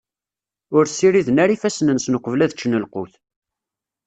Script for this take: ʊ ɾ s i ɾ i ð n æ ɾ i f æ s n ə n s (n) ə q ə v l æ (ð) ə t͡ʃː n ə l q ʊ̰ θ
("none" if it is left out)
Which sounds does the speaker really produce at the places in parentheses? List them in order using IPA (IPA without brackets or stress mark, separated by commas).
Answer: n, ð